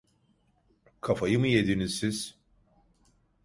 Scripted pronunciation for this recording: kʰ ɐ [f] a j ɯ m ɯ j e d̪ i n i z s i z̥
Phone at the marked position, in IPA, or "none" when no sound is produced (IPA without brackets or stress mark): f